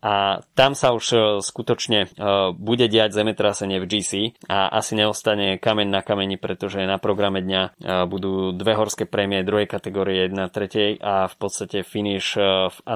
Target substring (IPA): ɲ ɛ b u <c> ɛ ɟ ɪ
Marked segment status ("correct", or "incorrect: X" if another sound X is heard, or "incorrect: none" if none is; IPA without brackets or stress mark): incorrect: ɟ